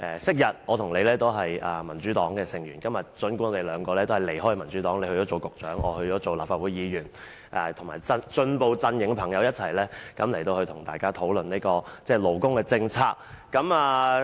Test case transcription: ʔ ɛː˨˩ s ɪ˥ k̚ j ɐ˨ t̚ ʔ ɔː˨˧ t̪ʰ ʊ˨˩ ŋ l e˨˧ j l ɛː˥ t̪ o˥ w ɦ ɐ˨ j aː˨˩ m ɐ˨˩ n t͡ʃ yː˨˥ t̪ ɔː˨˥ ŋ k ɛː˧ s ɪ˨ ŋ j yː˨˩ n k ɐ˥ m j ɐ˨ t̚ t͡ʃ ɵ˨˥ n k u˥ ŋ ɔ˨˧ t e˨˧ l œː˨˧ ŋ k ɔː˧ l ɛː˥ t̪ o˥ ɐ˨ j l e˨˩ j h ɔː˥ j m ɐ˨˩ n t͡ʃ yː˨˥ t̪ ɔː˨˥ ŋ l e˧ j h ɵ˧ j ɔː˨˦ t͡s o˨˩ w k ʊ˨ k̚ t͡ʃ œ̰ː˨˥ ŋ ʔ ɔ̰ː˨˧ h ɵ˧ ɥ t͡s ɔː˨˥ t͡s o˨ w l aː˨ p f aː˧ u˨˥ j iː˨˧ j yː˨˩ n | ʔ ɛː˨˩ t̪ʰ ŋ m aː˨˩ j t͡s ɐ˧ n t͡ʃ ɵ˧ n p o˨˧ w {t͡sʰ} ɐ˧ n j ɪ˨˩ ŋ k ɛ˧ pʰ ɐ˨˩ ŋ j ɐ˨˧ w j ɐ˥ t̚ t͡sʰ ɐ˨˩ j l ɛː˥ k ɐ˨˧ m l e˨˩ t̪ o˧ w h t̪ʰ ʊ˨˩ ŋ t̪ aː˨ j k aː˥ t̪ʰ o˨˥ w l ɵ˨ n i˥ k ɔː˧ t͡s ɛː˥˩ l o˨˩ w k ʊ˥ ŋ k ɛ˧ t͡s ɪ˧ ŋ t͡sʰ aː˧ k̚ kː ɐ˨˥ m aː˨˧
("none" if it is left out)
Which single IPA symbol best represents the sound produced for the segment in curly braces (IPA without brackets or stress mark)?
t͡s